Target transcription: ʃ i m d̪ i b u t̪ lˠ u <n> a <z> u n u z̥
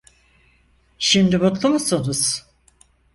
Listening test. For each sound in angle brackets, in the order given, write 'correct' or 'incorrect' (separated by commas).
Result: incorrect, incorrect